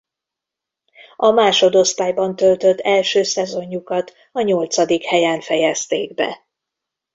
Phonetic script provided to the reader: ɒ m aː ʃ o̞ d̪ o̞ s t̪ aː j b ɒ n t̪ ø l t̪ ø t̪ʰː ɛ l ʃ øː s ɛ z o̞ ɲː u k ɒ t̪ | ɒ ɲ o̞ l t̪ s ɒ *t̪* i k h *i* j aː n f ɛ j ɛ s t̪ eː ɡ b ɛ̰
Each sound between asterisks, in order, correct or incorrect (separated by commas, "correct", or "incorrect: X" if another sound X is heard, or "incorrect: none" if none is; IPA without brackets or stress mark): incorrect: d̪, incorrect: ɛ